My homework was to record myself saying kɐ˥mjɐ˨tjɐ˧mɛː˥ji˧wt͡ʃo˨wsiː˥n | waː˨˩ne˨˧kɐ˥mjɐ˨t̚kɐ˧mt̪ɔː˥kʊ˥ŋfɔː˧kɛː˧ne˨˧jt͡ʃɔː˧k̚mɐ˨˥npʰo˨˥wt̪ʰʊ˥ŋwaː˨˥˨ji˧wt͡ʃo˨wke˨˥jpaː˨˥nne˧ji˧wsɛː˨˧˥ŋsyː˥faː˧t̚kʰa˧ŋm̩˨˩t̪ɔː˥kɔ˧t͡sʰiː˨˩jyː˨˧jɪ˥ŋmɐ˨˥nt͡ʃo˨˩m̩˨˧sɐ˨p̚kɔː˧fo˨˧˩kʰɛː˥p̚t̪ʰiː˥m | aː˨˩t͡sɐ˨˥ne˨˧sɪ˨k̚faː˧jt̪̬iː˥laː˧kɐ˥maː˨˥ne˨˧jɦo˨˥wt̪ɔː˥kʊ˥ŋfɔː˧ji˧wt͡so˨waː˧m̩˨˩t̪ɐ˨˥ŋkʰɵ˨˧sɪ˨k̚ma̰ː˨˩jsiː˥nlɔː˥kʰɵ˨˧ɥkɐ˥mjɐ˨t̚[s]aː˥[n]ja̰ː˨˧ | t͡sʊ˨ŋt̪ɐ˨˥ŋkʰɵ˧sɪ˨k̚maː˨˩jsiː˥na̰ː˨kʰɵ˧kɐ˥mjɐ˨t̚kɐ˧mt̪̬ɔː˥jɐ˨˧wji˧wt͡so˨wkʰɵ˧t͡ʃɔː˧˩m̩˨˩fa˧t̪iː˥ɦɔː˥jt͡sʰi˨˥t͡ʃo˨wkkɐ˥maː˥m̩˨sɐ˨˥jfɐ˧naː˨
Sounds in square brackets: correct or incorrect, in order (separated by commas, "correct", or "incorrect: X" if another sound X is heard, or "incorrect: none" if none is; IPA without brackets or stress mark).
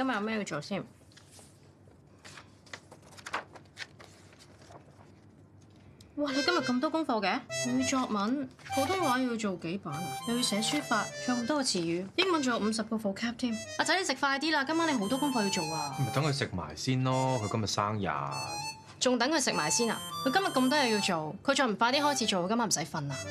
correct, incorrect: ŋ